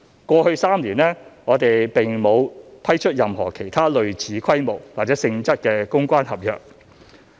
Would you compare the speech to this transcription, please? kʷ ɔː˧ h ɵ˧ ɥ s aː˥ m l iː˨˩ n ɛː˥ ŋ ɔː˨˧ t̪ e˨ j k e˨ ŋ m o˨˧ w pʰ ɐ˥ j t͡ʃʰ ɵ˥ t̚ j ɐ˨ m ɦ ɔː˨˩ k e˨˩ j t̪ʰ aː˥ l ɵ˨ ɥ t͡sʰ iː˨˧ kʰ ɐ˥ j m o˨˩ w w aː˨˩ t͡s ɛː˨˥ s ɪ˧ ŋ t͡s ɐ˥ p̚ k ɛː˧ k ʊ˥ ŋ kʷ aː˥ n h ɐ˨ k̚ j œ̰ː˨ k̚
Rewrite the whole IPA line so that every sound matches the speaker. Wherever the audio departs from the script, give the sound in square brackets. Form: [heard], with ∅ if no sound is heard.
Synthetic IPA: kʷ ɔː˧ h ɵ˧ ɥ s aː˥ m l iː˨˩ n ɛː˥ ŋ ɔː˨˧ t̪ e˨ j [p] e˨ ŋ m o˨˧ w pʰ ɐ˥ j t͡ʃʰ ɵ˥ t̚ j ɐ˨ m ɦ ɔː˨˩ [kʰ] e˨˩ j t̪ʰ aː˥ l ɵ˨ ɥ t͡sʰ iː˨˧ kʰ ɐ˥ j m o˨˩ w w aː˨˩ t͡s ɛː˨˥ s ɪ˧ ŋ t͡s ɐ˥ [t̚] k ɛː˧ k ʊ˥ ŋ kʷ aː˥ n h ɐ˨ [p̚] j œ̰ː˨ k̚